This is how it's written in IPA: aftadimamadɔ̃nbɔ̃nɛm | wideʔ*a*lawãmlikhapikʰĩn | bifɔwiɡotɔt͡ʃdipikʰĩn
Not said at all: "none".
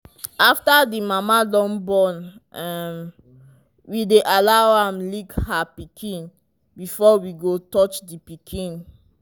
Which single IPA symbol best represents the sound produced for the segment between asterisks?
a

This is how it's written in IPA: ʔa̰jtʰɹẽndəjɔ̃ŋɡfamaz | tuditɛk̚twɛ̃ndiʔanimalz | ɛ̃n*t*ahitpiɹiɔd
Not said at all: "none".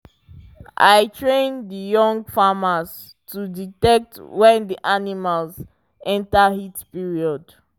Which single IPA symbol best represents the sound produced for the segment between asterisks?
t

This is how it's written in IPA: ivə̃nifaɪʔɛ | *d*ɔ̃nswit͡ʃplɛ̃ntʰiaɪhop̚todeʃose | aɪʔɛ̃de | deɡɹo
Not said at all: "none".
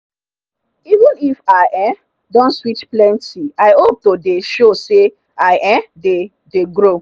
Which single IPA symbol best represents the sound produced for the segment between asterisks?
d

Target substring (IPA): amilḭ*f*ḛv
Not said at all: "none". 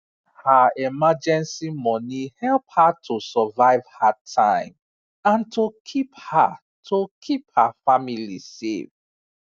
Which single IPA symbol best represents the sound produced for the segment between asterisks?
s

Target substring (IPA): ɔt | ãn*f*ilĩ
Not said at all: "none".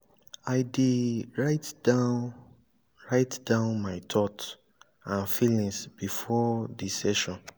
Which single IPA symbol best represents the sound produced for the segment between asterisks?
f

